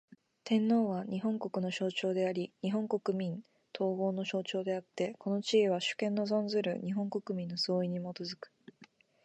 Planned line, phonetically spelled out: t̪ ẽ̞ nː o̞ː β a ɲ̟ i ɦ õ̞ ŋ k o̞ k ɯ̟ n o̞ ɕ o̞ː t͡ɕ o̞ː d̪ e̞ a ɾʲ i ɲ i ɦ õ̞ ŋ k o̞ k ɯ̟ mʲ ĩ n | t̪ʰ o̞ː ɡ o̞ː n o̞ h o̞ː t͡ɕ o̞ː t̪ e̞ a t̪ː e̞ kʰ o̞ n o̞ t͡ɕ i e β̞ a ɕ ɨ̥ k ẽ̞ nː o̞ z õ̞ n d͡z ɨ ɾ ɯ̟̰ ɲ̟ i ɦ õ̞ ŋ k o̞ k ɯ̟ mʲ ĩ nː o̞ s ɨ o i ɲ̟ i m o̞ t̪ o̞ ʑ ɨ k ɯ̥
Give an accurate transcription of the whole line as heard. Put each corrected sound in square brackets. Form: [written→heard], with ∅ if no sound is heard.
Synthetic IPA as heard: t̪ ẽ̞ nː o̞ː β a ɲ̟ i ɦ õ̞ ŋ k o̞ k ɯ̟ n o̞ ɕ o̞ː t͡ɕ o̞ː d̪ e̞ a ɾʲ i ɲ i ɦ õ̞ ŋ k o̞ k ɯ̟ mʲ ĩ n | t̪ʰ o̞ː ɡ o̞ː n o̞ [h→ɕ] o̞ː t͡ɕ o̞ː [t̪→d̪] e̞ a t̪ː e̞ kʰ o̞ n o̞ t͡ɕ i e β̞ a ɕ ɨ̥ k ẽ̞ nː o̞ z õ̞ n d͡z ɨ ɾ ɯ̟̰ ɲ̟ i ɦ õ̞ ŋ k o̞ k ɯ̟ mʲ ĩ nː o̞ s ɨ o i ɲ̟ i m o̞ t̪ o̞ [ʑ→z] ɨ k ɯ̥

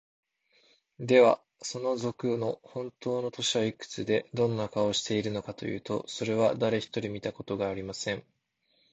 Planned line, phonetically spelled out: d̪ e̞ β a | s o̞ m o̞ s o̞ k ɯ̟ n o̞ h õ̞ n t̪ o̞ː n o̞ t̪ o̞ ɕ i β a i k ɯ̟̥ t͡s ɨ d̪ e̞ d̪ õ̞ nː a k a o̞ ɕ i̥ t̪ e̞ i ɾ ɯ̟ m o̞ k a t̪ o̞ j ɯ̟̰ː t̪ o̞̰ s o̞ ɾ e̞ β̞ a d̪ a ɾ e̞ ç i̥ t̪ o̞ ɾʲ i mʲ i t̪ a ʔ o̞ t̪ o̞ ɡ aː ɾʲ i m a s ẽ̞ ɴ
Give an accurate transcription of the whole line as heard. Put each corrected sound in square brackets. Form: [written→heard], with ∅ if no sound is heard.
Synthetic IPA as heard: d̪ e̞ β a | s o̞ [m→n] o̞ [s→z] o̞ k ɯ̟ n o̞ h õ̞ n t̪ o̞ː n o̞ t̪ o̞ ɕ i β a i k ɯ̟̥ t͡s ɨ d̪ e̞ d̪ õ̞ nː a k a o̞ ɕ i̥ t̪ e̞ i ɾ ɯ̟ [m→n] o̞ k a t̪ o̞ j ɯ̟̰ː t̪ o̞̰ s o̞ ɾ e̞ β̞ a d̪ a ɾ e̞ ç i̥ t̪ o̞ ɾʲ i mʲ i t̪ a [ʔ→k] o̞ t̪ o̞ ɡ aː ɾʲ i m a s ẽ̞ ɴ

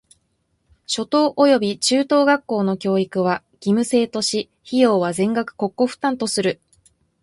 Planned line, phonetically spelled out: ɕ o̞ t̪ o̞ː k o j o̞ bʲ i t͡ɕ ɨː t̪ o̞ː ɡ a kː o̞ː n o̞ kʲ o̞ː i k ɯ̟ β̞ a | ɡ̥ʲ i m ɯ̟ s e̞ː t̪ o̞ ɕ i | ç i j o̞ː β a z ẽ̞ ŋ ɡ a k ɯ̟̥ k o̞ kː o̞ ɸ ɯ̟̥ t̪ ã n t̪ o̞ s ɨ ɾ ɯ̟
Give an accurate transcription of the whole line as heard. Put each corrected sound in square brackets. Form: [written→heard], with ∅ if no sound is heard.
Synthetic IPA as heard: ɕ o̞ t̪ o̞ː [k→ʔ] o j o̞ bʲ i t͡ɕ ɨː t̪ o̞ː ɡ a kː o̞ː n o̞ kʲ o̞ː i k ɯ̟ β̞ a | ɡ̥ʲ i m ɯ̟ s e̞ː t̪ o̞ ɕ i | ç i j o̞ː β a z ẽ̞ ŋ ɡ a k ɯ̟̥ k o̞ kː o̞ ɸ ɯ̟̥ t̪ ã n t̪ o̞ s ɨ ɾ ɯ̟

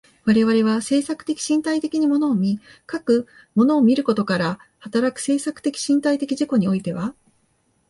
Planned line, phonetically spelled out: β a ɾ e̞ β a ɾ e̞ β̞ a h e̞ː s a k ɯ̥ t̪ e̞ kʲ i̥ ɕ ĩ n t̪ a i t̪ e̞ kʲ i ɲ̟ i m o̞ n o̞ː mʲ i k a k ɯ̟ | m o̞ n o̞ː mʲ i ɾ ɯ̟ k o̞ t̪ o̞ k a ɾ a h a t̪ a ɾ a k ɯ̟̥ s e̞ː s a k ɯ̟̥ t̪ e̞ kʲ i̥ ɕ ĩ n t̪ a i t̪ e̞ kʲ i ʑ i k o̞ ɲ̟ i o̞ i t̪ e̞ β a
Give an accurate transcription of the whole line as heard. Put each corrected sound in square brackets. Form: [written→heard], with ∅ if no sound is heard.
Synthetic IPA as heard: β a ɾ e̞ β a ɾ e̞ β̞ a [h→s] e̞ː s a k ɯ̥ t̪ e̞ kʲ i̥ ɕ ĩ n t̪ a i t̪ e̞ kʲ i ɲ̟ i m o̞ n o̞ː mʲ i k a k ɯ̟ | m o̞ n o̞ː mʲ i ɾ ɯ̟ k o̞ t̪ o̞ k a ɾ a h a t̪ a ɾ a k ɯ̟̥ s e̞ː s a k ɯ̟̥ t̪ e̞ kʲ i̥ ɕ ĩ n t̪ a i t̪ e̞ kʲ i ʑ i k o̞ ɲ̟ i o̞ i t̪ e̞ β a

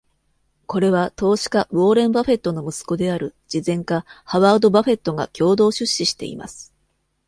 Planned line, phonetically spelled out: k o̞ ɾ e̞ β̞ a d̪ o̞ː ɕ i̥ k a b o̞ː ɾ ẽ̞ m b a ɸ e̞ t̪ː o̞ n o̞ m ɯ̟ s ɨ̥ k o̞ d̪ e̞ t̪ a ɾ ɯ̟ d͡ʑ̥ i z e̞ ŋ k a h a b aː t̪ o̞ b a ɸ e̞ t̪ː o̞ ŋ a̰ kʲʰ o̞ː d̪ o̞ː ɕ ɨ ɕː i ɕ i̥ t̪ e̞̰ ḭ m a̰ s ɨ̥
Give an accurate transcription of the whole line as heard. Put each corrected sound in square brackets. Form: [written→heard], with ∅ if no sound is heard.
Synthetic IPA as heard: k o̞ ɾ e̞ β̞ a [d̪→t̪] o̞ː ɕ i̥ k a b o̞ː ɾ ẽ̞ m b a ɸ e̞ t̪ː o̞ n o̞ m ɯ̟ s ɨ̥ k o̞ d̪ e̞ [t̪→∅] a ɾ ɯ̟ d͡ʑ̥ i z [e̞→ẽ̞] ŋ k a h a [b→β] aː [t̪→d̪] o̞ b a ɸ e̞ t̪ː o̞ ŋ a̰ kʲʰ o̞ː d̪ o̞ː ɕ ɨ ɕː i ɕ i̥ t̪ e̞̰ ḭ m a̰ s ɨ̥

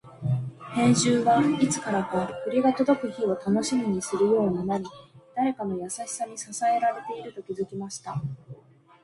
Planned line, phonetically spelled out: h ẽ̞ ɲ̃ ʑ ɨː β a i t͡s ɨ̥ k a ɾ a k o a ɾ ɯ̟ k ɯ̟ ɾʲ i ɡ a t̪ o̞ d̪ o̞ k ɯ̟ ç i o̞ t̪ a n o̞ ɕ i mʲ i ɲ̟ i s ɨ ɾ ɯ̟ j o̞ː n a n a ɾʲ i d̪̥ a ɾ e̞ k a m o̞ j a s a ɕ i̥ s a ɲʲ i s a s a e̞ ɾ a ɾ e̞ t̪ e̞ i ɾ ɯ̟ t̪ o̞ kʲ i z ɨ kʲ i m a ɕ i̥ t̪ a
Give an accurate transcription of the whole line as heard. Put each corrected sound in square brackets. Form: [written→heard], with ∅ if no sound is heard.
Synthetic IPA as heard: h ẽ̞ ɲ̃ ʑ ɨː β a i t͡s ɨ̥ k a ɾ a k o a ɾ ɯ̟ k ɯ̟ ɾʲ i ɡ a t̪ o̞ d̪ o̞ k ɯ̟ ç i o̞ t̪ a n o̞ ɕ i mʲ i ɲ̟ i s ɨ ɾ ɯ̟ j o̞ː n a n a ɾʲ i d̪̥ a ɾ e̞ k a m o̞ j a s a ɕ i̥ s a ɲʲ i s a s a e̞ ɾ a ɾ e̞ t̪ e̞ i ɾ ɯ̟ t̪ o̞ kʲ i z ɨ kʲ i m a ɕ i̥ t̪ a

